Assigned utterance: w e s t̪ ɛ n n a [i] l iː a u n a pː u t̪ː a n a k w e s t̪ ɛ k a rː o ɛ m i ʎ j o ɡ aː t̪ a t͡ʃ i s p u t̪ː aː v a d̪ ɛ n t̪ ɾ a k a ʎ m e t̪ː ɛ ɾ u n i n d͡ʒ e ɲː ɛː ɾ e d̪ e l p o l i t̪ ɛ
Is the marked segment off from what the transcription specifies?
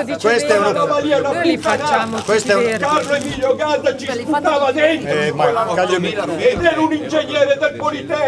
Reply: yes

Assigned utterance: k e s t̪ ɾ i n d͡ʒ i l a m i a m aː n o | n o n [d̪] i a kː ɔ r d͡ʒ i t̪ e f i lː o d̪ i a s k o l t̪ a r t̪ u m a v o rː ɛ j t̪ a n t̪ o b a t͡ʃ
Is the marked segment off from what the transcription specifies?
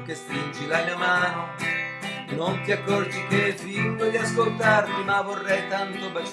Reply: yes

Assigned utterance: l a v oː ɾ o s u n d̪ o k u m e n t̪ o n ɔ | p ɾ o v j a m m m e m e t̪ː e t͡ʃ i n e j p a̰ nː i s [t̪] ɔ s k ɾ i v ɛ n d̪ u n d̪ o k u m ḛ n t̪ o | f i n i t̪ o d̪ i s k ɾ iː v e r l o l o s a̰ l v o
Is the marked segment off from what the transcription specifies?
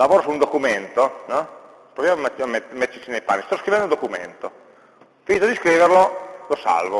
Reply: no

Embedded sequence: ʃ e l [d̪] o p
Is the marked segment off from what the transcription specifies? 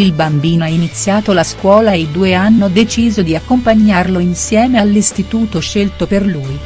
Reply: yes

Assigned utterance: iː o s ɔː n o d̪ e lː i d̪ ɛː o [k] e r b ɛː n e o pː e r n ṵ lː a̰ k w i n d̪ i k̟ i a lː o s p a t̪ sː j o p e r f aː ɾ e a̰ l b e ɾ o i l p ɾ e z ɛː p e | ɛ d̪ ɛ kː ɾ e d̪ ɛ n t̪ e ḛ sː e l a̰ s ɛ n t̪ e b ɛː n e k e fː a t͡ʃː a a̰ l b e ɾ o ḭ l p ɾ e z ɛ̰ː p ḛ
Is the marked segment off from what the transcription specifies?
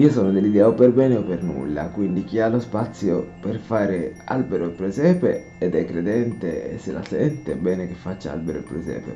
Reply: yes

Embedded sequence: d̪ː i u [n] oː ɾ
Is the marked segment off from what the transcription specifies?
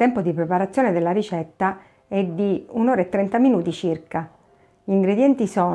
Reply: no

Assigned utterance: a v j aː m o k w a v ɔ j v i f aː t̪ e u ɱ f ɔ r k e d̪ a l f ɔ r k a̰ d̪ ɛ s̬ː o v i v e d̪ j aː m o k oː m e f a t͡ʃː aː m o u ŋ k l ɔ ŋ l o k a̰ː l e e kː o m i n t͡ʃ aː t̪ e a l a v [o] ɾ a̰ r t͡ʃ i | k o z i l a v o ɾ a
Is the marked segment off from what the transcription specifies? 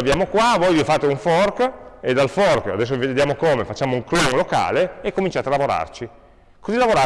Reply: no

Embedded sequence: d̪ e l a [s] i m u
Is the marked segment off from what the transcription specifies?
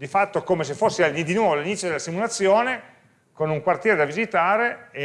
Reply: no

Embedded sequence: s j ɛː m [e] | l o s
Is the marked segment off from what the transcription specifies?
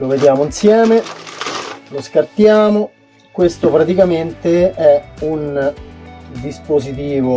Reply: no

